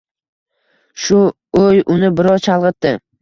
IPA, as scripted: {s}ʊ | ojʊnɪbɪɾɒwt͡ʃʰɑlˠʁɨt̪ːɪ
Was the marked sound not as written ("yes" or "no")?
yes